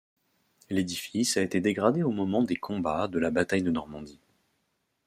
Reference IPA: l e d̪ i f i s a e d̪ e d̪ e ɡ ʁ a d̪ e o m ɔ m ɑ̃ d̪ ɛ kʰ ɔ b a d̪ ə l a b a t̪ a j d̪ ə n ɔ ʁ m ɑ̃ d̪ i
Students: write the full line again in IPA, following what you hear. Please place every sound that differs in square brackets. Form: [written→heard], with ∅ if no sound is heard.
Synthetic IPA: l e d̪ i f i s a e [d̪→t̪] e d̪ e ɡ ʁ a d̪ e o m ɔ m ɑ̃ d̪ [ɛ→e] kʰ [ɔ→ɔ̃] b a d̪ ə l a b a t̪ a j d̪ ə n ɔ ʁ m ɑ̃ d̪ i

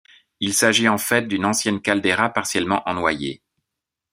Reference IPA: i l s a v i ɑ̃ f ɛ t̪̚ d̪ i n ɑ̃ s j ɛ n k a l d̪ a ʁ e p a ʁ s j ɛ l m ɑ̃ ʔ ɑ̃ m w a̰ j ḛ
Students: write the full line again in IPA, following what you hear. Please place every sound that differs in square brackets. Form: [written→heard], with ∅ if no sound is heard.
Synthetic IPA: i l s a [v→ʒ] i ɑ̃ f ɛ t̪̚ d̪ [i→y] n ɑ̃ s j ɛ n k a l d̪ [a→e] ʁ [e→a] p a ʁ s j ɛ l m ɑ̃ ʔ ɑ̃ [m→n] w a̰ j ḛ

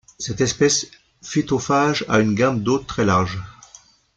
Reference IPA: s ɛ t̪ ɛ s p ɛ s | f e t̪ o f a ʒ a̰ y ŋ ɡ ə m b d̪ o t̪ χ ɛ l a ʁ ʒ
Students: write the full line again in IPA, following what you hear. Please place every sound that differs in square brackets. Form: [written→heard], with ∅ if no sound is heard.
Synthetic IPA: s ɛ t̪ ɛ s p ɛ s | f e t̪ o f a ʒ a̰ y [ŋ→n] ɡ [ə→a] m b d̪ o t̪ χ ɛ l a ʁ ʒ

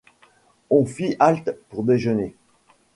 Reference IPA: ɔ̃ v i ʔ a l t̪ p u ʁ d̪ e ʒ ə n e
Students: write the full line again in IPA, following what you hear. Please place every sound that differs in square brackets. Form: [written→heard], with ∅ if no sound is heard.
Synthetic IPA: ɔ̃ [v→f] i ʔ a l t̪ p u ʁ d̪ e ʒ ə n e

